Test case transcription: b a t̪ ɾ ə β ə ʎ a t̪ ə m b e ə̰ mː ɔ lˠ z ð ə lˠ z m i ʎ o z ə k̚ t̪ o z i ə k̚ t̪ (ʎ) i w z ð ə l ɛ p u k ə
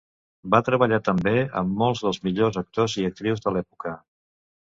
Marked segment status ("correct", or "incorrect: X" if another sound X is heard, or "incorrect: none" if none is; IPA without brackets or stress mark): incorrect: ɾ